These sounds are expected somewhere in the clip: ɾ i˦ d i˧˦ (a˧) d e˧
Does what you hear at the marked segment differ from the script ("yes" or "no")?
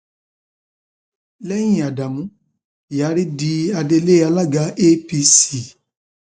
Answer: no